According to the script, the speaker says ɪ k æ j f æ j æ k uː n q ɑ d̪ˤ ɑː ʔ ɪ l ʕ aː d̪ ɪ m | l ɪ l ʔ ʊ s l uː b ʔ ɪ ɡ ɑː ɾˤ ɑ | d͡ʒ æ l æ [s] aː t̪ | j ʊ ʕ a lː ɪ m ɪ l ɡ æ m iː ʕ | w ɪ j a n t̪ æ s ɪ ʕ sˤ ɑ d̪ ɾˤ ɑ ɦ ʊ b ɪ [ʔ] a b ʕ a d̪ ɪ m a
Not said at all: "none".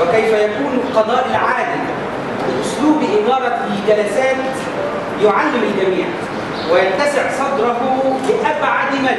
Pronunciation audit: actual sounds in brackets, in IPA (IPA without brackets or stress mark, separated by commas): s, ʔ